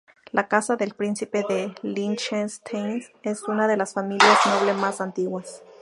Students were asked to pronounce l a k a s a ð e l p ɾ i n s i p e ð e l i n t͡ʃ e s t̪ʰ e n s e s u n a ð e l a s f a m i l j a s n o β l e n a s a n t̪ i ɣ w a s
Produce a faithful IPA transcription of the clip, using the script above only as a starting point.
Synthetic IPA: l a k a s a ð e l p ɾ i n s i p e ð e l i n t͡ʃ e s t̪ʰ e n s e s u n a ð e l a s f a m i l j a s n o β l e m a s a n t̪ i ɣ w a s